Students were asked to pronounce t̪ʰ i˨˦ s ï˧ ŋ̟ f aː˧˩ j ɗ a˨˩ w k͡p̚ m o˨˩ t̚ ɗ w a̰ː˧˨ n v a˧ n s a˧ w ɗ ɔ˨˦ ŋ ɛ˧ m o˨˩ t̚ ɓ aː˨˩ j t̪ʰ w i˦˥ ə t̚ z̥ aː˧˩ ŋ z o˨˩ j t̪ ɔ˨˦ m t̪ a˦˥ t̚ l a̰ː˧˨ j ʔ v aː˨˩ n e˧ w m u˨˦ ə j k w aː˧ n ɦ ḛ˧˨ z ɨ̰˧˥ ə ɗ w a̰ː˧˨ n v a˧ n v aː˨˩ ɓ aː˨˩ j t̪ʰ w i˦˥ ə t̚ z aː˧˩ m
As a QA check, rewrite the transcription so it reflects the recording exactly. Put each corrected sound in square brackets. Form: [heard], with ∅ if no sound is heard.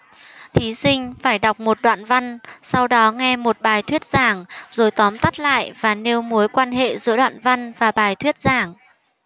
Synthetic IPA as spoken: t̪ʰ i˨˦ s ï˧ ŋ̟ f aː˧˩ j ɗ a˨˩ w k͡p̚ m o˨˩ t̚ ɗ w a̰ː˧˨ n v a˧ n s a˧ w ɗ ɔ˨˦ ŋ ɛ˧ m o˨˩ t̚ ɓ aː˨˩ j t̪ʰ w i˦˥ ə t̚ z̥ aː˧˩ ŋ z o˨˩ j t̪ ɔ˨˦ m t̪ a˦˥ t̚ l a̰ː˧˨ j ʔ v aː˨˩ n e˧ w m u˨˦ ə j k w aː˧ n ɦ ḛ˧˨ z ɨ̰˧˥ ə ɗ w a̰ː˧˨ n v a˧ n v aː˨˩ ɓ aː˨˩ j t̪ʰ w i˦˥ ə t̚ z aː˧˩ [ŋ]